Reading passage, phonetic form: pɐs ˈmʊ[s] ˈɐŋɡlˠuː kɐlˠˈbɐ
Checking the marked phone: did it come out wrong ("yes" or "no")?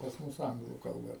no